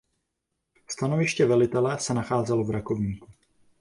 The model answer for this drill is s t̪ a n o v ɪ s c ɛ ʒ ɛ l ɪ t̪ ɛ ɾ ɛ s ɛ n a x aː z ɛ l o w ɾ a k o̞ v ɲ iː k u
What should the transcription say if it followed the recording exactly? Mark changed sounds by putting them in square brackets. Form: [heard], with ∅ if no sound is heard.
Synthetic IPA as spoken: s t̪ a n o v ɪ [ʃ] c ɛ [v] ɛ l ɪ t̪ ɛ [l] ɛ s ɛ n a x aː z ɛ l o [v] ɾ a k o̞ v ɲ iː k u